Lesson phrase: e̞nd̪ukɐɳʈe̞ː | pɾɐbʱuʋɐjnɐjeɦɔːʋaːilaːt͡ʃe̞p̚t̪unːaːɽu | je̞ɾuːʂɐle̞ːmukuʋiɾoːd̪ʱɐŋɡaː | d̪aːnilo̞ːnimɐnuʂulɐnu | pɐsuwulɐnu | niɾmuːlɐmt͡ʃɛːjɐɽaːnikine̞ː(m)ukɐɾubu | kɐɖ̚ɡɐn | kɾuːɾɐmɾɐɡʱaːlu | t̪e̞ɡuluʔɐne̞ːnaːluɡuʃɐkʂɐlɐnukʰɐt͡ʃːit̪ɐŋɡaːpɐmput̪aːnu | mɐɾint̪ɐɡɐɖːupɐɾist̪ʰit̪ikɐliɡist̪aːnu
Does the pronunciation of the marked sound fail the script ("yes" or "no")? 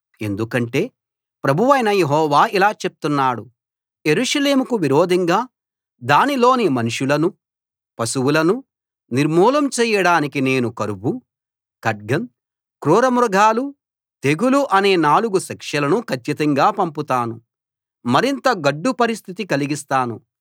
yes